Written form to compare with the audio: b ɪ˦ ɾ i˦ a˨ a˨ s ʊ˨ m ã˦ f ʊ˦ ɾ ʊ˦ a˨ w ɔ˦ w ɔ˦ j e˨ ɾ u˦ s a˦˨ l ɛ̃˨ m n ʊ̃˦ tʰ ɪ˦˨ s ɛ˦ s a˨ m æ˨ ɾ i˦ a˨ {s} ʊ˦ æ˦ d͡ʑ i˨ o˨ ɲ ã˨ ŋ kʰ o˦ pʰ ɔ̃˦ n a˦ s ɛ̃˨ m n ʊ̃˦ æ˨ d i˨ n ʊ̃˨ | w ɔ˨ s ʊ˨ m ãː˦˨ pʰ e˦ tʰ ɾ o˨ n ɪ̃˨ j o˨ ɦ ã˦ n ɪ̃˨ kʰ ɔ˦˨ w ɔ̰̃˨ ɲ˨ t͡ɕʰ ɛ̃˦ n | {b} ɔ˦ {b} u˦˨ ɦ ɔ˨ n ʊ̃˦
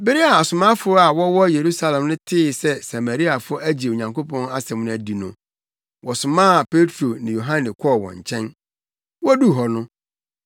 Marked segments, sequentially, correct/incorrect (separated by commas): incorrect, incorrect, incorrect